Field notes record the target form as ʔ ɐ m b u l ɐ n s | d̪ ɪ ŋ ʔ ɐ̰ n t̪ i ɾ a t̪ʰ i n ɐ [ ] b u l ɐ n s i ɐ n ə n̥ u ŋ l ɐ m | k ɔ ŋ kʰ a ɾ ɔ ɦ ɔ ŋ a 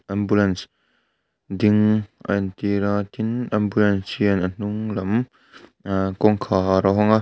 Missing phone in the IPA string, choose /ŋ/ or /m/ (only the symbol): m